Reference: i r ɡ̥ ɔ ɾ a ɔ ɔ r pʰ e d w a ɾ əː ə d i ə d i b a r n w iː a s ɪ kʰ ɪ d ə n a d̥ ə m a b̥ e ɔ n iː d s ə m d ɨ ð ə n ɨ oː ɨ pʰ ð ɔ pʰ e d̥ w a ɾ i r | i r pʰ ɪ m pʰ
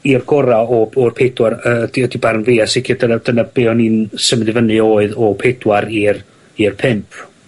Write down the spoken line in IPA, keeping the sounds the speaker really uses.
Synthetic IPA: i r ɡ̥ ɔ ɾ a ɔ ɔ r pʰ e d w a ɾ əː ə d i ə d i b a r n v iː a s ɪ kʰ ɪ d ə n a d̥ ə n a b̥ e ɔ n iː n s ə m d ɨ v ə n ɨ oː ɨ ð ɔ pʰ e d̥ w a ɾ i r | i r pʰ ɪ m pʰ